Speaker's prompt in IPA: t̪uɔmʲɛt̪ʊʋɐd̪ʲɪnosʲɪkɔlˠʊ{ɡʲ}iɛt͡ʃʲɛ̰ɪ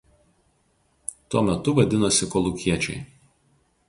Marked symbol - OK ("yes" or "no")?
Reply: no